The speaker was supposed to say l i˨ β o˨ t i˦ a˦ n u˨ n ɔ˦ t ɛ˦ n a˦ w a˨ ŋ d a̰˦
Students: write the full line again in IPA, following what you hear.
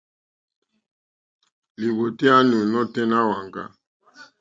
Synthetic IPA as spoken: l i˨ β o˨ t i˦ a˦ n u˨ n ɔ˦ t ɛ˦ n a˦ w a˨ ŋ ɡ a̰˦

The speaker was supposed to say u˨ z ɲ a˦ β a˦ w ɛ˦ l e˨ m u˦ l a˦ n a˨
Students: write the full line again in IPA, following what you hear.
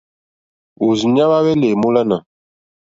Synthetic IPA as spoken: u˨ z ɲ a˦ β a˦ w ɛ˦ l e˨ m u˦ l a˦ n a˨

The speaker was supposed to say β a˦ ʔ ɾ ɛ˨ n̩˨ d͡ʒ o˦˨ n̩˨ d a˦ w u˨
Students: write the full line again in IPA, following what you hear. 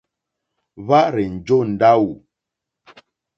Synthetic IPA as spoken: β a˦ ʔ ɾ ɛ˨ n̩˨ d͡ʒ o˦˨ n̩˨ d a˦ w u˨

